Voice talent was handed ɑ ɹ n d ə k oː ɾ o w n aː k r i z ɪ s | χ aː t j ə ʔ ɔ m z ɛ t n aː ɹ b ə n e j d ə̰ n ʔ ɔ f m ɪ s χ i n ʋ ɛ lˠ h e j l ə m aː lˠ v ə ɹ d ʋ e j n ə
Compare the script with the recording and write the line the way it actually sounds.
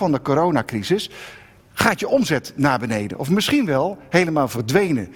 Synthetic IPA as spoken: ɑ n d ə k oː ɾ o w n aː k r i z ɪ s | χ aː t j ə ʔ ɔ m z ɛ t n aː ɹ b ə n e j d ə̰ n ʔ ɔ f m ɪ s χ i n ʋ ɛ lˠ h e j l ə m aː lˠ v ə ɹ d ʋ e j n ə